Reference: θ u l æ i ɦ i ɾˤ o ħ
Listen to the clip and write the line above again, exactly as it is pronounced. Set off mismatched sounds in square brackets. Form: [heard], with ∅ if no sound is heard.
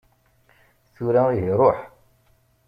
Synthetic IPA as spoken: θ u [ɾ] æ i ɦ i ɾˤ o ħ